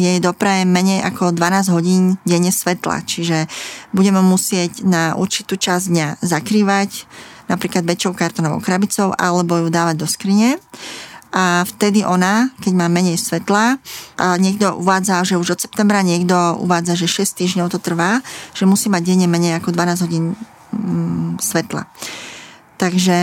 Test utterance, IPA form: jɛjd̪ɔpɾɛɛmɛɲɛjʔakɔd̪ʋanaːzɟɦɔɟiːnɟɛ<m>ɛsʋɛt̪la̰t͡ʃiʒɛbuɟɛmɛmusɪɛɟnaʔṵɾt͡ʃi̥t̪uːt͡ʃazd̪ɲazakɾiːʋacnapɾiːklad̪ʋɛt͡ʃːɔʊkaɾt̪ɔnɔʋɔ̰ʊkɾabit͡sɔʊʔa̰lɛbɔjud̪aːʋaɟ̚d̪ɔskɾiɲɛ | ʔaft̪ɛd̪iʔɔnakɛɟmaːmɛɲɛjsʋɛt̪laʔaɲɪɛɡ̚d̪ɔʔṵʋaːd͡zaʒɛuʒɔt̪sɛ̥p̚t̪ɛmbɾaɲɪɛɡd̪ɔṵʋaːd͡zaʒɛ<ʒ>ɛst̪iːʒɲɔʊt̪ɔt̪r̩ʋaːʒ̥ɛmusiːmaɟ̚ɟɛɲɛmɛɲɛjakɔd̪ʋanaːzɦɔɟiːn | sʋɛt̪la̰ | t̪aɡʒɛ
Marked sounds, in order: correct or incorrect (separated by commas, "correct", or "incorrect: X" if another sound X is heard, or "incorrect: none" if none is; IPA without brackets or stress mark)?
incorrect: ɲ, incorrect: ʃ